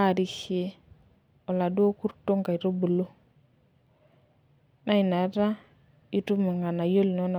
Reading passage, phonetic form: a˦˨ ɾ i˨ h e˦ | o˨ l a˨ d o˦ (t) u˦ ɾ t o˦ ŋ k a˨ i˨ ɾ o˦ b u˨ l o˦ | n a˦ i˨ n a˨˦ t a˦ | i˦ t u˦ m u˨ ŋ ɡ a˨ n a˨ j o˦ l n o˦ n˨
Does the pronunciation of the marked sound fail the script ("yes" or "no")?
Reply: yes